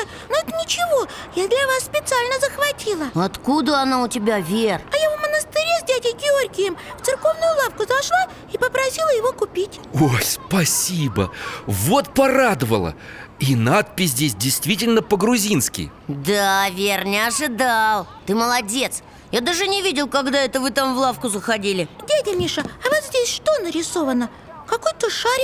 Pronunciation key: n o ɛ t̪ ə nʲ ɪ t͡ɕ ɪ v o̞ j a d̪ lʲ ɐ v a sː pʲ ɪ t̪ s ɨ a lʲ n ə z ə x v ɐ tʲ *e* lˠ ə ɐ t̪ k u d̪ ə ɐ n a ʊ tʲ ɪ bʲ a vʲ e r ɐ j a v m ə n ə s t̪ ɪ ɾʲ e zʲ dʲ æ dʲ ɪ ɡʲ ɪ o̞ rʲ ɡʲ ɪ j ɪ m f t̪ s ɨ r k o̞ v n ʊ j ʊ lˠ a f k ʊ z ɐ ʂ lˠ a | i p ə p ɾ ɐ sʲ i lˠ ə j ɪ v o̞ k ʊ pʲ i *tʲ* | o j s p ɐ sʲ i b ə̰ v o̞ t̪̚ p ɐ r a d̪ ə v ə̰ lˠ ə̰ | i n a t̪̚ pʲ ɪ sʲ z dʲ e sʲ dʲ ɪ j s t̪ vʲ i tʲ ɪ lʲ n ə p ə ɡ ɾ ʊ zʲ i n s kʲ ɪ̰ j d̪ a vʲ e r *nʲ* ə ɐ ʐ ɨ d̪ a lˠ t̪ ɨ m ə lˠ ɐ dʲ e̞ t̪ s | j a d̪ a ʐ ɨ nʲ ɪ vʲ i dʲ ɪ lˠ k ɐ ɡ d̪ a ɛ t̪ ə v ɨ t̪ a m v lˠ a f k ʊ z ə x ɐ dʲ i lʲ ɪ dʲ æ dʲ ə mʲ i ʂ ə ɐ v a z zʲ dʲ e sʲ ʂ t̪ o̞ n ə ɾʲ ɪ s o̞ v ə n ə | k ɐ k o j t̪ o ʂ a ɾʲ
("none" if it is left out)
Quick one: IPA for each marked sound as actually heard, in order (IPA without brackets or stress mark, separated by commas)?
i, tʲ, nʲ